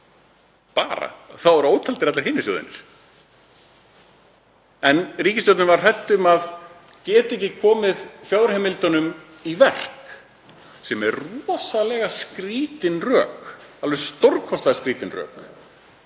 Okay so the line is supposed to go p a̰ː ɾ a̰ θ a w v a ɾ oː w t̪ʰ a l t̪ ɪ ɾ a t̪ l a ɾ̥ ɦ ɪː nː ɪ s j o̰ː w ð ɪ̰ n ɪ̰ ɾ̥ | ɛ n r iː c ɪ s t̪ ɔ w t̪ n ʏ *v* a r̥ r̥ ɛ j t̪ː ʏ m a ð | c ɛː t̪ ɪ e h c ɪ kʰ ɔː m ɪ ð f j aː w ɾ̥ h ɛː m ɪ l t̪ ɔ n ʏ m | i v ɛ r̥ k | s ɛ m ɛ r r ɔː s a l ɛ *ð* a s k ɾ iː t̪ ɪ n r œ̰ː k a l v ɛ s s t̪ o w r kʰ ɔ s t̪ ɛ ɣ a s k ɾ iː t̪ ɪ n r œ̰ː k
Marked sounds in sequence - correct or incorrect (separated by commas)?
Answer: correct, incorrect